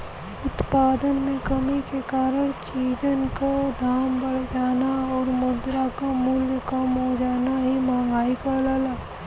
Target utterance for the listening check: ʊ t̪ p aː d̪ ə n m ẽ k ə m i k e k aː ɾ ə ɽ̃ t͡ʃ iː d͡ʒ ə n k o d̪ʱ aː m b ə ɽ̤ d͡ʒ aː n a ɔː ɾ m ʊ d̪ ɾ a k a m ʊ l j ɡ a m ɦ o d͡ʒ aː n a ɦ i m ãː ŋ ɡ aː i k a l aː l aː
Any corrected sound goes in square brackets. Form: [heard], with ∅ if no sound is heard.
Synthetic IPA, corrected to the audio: ʊ t̪ p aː d̪ ə n m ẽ k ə m i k e k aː ɾ ə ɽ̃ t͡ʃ iː d͡ʒ ə n k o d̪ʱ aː m b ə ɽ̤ d͡ʒ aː n a ɔː ɾ m ʊ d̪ ɾ a k a m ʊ l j [k] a m ɦ o d͡ʒ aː n a ɦ i m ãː ŋ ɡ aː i k a l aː l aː